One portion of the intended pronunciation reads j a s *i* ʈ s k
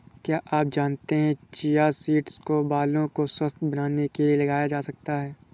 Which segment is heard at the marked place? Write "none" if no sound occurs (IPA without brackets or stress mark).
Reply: iː